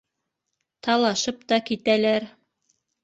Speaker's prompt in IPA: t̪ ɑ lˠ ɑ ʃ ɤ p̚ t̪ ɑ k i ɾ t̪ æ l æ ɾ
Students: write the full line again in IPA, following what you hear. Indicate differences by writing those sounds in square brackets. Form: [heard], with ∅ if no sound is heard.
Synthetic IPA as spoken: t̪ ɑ lˠ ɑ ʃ ɤ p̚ t̪ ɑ k i [∅] t̪ æ l æ ɾ